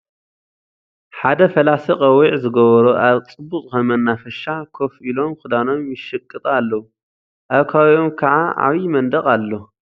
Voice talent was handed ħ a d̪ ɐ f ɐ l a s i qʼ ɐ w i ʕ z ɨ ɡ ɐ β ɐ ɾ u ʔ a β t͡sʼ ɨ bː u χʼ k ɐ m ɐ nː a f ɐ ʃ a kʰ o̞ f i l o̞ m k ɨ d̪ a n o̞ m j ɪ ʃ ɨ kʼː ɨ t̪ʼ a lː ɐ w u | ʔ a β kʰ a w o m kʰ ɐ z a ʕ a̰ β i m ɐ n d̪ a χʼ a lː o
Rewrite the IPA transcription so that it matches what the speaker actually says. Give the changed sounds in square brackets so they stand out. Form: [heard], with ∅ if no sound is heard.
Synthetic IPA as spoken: ħ a d̪ ɐ f ɐ l a s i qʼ ɐ w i ʕ z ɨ ɡ ɐ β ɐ ɾ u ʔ a β t͡sʼ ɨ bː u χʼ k ɐ m ɐ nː a f ɐ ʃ a kʰ o̞ f i l o̞ m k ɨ d̪ a n o̞ m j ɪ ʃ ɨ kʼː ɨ t̪ʼ a lː ɐ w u | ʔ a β kʰ a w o m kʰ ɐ [ʕ] a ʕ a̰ β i m ɐ n d̪ [ɐ] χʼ a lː o